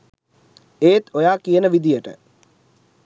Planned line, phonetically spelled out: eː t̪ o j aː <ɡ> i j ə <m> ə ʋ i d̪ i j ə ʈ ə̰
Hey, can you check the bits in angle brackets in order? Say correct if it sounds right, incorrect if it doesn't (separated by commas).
incorrect, incorrect